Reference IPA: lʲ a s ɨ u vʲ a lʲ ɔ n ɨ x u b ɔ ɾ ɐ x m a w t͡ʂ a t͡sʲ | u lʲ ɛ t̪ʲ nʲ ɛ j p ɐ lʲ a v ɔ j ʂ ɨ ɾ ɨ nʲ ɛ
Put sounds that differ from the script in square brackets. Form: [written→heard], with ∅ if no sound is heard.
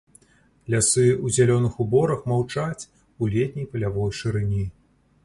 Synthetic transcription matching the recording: lʲ a s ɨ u [vʲ→zʲ] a lʲ ɔ n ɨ x u b ɔ ɾ ɐ x m a w t͡ʂ a t͡sʲ | u lʲ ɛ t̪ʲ nʲ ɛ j p ɐ lʲ a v ɔ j ʂ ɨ ɾ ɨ nʲ [ɛ→i]

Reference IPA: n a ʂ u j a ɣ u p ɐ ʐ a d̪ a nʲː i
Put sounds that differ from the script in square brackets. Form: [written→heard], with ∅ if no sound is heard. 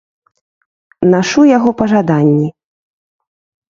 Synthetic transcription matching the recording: n a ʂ u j a ɣ [u→ɔ] p ɐ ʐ a d̪ a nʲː i

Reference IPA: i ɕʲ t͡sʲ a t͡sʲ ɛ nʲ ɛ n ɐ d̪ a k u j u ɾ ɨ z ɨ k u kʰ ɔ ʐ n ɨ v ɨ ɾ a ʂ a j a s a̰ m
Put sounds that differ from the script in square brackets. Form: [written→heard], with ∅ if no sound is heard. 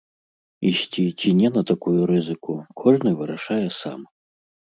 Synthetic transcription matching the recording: i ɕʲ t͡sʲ [a→i] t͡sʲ [ɛ→i] nʲ ɛ n ɐ [d̪→t̪] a k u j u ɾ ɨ z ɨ k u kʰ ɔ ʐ n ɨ v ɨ ɾ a ʂ a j [a→ɛ] s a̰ m

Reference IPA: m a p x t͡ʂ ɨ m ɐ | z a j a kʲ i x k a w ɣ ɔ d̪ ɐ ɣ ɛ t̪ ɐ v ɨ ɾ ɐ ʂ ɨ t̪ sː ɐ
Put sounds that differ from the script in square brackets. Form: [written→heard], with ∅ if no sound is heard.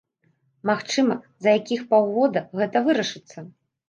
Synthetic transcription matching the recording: m a [p→∅] x t͡ʂ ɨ m ɐ | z [a→ɐ] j a kʲ i x [k→p] a w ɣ ɔ d̪ ɐ ɣ ɛ t̪ ɐ v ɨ ɾ ɐ ʂ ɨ t̪ sː ɐ

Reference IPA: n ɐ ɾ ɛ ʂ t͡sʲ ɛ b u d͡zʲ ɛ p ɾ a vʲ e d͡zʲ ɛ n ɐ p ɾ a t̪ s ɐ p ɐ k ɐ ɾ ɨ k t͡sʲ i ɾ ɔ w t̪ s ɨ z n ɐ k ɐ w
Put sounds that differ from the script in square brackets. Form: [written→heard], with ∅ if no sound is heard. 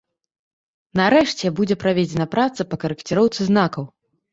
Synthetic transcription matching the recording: n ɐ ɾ ɛ ʂ t͡sʲ ɛ b u d͡zʲ ɛ p ɾ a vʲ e d͡zʲ ɛ n ɐ p ɾ a t̪ s ɐ p ɐ k ɐ ɾ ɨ k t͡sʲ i ɾ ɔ w t̪ s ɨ z n [ɐ→a] k ɐ w

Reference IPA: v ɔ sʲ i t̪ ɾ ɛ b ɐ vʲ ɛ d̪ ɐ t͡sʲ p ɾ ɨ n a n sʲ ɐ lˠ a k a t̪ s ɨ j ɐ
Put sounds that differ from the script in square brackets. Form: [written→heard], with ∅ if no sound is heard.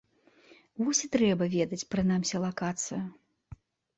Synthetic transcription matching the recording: v ɔ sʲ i t̪ ɾ ɛ b ɐ vʲ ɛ d̪ ɐ t͡sʲ p ɾ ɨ n a [n→m] sʲ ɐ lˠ a k a t̪ s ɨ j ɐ

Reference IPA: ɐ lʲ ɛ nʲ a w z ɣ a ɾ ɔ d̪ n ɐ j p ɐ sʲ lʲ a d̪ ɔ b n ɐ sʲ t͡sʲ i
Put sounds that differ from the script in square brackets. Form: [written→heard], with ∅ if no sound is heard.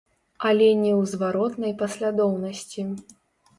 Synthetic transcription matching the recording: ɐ lʲ ɛ nʲ [a→ɛ] w z [ɣ→v] a ɾ ɔ [d̪→t̪] n ɐ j p ɐ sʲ lʲ a d̪ ɔ [b→w] n ɐ sʲ t͡sʲ i

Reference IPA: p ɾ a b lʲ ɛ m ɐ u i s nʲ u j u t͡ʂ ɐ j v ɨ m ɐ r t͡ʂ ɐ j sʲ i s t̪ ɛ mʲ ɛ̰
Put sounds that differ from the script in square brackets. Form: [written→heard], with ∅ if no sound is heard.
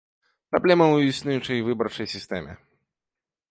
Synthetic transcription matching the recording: p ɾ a b lʲ ɛ m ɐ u i s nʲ u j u t͡ʂ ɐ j v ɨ [m→b] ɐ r t͡ʂ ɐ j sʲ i s t̪ ɛ mʲ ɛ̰

